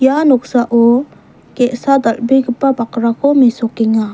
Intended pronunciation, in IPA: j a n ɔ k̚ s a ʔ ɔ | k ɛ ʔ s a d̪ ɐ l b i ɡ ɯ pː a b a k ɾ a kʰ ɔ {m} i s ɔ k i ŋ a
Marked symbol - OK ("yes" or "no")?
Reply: yes